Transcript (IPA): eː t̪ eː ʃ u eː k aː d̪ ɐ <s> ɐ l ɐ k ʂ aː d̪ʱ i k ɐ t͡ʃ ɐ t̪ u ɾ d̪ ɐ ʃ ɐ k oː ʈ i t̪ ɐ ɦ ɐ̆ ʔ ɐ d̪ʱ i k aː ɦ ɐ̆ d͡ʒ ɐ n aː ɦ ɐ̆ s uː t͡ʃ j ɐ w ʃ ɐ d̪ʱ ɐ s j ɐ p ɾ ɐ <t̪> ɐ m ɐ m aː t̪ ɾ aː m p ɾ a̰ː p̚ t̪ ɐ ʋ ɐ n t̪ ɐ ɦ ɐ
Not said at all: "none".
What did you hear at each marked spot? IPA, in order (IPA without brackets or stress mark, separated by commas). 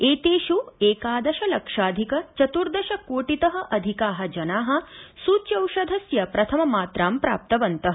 ʃ, t̪ʰ